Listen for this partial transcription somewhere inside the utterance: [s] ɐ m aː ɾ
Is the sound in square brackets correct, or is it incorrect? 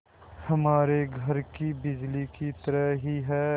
incorrect: h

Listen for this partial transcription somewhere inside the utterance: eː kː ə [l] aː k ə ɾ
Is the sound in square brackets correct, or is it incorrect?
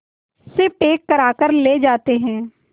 incorrect: ɾ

